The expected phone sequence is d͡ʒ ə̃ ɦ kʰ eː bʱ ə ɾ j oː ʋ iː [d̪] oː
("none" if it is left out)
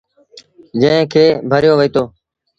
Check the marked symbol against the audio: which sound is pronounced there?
t̪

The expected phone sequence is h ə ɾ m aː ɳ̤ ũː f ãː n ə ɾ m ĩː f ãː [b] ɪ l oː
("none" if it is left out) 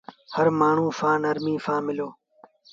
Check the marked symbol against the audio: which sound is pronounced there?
m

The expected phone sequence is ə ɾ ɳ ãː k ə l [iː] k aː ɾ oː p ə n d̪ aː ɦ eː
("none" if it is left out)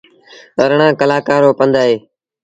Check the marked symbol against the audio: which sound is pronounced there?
aː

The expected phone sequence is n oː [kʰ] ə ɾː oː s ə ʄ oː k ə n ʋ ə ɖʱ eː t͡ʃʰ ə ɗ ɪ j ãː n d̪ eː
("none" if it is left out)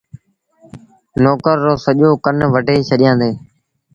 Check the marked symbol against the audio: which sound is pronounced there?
k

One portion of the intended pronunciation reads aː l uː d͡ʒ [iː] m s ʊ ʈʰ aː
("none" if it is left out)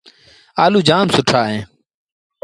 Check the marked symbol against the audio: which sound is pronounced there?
aː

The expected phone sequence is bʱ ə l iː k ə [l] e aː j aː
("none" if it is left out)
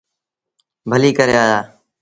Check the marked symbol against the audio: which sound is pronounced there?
ɾ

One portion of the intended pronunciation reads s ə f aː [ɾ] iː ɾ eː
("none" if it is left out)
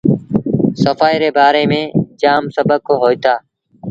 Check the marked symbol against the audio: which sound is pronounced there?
none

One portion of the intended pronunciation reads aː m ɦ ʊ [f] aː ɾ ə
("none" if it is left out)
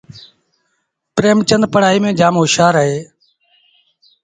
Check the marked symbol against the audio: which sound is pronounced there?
ʃ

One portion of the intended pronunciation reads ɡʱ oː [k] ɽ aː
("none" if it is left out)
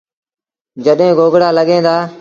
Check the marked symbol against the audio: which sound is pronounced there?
ɡ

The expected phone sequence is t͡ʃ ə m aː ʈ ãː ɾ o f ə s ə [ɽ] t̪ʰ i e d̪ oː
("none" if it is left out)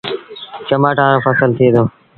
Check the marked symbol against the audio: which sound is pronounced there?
l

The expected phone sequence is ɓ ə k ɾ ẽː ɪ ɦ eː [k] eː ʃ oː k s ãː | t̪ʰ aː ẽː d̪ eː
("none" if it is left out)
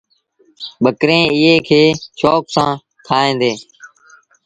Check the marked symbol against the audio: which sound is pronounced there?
kʰ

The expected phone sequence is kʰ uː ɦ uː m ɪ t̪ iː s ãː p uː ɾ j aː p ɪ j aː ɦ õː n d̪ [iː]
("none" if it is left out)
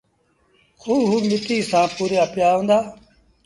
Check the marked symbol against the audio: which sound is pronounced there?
aː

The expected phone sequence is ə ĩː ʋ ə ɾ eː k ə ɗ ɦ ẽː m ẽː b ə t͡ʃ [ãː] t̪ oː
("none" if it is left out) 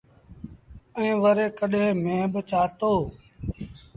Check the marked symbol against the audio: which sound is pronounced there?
aː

